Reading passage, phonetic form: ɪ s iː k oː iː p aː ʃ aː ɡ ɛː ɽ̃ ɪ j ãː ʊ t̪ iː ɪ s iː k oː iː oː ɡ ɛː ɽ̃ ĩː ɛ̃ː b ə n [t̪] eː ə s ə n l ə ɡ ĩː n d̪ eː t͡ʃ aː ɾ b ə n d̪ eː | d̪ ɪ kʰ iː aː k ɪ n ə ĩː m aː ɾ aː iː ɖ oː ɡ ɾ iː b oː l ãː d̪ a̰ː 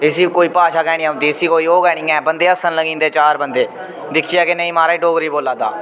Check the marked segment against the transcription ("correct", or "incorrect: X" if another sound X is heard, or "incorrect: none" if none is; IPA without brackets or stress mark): incorrect: d̪